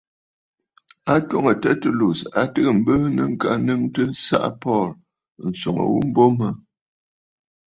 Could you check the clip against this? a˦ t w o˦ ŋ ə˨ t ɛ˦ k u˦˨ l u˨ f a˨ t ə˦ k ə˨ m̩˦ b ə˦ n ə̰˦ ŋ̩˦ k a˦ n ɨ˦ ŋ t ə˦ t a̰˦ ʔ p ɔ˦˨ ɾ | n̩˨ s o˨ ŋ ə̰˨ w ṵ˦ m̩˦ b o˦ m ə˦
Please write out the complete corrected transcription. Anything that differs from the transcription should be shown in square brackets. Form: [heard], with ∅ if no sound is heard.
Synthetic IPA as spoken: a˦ t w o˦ ŋ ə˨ t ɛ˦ [t] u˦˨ l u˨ [s] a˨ t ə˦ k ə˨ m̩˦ b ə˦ n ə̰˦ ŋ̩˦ k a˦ n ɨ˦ ŋ t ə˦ [s] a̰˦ ʔ p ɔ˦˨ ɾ | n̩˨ s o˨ ŋ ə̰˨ w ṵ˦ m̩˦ b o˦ m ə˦